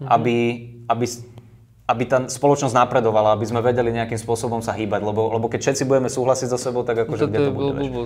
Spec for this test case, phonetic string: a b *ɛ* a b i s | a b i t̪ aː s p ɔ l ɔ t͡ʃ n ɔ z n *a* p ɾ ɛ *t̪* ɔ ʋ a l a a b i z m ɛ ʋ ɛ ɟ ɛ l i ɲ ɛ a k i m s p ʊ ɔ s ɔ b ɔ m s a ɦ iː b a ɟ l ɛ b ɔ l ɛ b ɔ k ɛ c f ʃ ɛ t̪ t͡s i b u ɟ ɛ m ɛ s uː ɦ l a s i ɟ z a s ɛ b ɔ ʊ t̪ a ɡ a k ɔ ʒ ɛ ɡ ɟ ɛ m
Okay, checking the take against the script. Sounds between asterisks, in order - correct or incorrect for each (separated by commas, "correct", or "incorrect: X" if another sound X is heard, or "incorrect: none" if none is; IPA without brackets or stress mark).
incorrect: i, correct, incorrect: d̪